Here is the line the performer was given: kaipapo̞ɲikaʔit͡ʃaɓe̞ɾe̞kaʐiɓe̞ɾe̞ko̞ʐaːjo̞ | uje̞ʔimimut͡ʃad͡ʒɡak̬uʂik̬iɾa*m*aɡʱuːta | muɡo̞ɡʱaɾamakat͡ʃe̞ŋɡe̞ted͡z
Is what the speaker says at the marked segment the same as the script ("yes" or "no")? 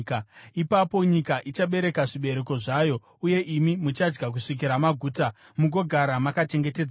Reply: yes